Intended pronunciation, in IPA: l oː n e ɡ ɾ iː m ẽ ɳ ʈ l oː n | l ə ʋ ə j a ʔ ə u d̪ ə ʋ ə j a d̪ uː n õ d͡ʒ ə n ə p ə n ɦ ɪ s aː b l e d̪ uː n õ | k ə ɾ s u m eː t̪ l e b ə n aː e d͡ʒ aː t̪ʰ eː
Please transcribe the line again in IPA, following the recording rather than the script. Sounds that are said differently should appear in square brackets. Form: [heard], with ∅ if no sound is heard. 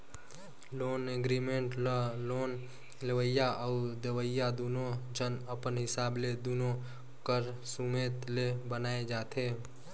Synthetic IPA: l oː n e ɡ ɾ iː m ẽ ɳ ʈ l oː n | l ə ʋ ə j a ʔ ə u d̪ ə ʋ ə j a d̪ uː n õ d͡ʒ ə n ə p ə n ɦ ɪ s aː b l e d̪ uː n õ | k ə ɾ s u m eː t̪ l e b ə n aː e d͡ʒ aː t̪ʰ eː